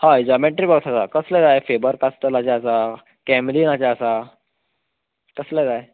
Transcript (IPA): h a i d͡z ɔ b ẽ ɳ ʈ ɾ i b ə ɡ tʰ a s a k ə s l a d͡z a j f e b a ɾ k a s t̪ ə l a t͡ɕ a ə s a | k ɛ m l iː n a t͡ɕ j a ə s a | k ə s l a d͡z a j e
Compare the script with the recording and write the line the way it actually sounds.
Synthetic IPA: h a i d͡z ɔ m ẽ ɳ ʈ ɾ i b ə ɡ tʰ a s a k ə s l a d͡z a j f e b ə ɾ k a s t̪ ə l a t͡ɕ a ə s a | k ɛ m l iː n a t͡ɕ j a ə s a | k ə s l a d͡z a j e